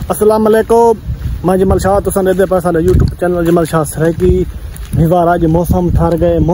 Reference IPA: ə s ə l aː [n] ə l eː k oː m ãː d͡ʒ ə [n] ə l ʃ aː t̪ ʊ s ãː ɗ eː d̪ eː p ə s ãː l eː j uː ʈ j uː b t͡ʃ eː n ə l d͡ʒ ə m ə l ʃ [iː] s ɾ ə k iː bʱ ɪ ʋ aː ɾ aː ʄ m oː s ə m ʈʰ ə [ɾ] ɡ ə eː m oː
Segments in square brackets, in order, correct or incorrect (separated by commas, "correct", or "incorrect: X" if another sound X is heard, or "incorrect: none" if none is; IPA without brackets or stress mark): incorrect: m, incorrect: m, incorrect: aː, correct